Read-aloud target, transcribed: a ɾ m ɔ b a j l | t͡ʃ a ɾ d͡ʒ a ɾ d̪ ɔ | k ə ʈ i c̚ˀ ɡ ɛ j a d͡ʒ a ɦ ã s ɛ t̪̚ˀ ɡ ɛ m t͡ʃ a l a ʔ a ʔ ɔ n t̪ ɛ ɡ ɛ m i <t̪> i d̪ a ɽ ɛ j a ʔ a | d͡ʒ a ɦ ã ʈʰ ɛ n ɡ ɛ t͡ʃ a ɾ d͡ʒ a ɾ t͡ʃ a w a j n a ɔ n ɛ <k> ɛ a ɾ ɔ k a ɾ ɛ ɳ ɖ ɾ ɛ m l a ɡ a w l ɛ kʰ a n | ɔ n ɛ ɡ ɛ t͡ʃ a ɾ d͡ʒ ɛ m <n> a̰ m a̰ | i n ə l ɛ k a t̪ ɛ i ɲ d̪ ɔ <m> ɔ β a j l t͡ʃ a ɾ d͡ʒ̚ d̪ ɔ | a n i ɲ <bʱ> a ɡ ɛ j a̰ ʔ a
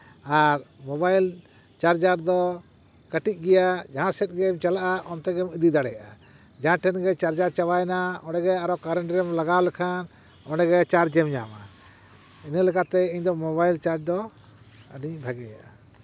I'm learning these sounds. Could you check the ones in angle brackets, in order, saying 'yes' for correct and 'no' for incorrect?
no, no, no, yes, yes

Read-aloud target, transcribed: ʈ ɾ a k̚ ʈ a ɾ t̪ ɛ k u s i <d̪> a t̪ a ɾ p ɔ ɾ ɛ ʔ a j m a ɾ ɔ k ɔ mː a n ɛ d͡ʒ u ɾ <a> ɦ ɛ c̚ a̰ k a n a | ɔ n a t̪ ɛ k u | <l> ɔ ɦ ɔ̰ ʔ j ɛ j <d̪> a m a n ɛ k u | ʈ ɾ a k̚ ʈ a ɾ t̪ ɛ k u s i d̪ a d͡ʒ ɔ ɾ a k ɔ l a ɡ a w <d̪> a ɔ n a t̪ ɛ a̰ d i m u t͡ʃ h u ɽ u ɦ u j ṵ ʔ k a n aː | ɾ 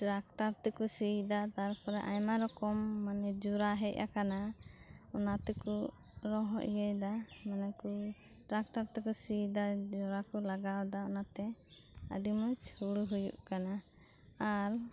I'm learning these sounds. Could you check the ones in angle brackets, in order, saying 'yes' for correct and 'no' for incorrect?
yes, yes, no, yes, yes

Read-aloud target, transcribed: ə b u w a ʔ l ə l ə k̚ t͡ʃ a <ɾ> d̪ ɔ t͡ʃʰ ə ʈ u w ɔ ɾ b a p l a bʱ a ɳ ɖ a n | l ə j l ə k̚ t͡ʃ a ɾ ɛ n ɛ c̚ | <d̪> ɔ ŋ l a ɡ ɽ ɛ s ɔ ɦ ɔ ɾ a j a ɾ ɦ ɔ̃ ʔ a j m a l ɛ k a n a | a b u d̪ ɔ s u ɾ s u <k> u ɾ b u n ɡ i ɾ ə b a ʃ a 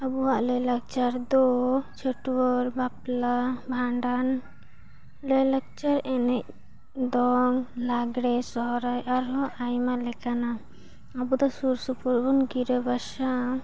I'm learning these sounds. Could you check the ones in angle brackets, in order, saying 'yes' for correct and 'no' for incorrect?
yes, yes, no

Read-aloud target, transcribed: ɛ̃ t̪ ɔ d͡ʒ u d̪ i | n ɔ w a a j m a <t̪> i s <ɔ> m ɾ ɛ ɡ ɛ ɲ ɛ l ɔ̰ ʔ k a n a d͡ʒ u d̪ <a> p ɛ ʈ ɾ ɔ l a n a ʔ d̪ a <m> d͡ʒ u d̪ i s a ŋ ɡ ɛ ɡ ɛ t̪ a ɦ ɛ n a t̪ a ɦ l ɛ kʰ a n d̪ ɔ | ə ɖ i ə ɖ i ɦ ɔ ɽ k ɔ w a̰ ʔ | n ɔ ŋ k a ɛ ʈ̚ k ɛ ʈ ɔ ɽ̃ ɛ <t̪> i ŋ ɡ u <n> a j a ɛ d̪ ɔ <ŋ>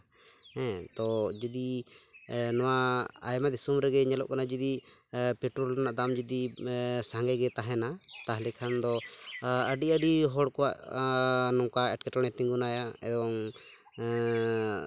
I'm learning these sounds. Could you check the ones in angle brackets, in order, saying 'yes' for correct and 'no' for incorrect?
no, no, no, yes, yes, yes, yes

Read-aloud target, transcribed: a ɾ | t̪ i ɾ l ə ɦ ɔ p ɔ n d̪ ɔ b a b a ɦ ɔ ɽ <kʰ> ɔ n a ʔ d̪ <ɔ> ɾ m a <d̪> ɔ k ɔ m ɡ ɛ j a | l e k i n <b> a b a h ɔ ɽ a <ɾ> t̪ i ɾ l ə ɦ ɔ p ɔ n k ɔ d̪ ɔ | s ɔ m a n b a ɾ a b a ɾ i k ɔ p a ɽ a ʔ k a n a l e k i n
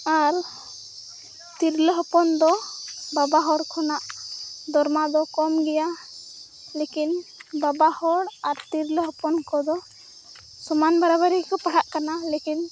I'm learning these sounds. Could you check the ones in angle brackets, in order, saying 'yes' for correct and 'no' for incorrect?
yes, yes, yes, yes, yes

